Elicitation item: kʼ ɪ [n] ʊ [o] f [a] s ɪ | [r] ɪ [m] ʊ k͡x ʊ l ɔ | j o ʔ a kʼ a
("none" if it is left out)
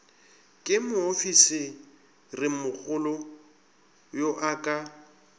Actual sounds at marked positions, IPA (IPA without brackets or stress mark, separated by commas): m, o, i, r, m